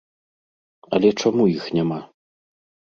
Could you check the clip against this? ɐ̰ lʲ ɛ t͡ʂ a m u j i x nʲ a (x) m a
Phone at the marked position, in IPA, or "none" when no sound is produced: none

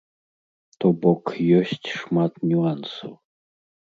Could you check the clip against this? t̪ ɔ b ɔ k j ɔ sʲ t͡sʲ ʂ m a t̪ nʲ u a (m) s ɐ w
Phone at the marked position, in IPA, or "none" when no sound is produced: n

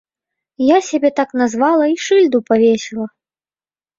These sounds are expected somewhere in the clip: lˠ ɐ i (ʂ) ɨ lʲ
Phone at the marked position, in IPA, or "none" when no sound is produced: ʂ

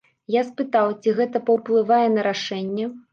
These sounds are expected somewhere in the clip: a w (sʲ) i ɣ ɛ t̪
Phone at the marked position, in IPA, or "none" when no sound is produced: t͡sʲ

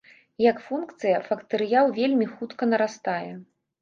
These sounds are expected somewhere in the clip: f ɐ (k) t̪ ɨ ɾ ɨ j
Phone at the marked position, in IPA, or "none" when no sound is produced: k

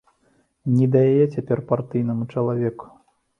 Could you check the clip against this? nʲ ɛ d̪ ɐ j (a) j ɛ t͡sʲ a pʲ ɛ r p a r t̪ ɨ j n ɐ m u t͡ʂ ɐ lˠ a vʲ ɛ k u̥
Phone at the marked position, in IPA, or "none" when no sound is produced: a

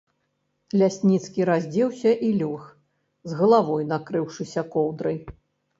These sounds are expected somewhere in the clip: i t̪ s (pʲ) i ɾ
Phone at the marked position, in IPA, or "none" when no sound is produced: kʲ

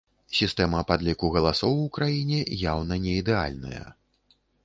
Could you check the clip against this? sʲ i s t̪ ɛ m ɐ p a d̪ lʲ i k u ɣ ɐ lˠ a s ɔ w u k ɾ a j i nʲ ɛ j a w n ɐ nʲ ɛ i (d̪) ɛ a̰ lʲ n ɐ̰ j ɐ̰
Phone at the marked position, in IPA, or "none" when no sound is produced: d̪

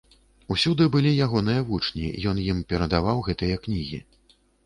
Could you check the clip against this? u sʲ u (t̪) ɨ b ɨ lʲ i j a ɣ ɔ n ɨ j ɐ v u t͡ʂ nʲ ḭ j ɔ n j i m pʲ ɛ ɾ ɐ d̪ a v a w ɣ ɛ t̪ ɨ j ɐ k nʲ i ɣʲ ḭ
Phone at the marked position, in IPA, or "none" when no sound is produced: d̪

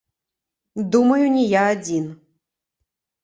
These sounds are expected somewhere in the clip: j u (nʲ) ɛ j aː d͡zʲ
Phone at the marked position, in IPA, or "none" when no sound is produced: nʲ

